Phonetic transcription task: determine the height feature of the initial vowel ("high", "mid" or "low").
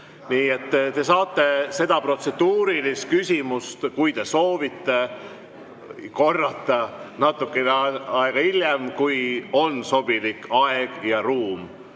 high